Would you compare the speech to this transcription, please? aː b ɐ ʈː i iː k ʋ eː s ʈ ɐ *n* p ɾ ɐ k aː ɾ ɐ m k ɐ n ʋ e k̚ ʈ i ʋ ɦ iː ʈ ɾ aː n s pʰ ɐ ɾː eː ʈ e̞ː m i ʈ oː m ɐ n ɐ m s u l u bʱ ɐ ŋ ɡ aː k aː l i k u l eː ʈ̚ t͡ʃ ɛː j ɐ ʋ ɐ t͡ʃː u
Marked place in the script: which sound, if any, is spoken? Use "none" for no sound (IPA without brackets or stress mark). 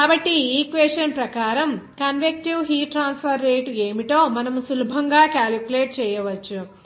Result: n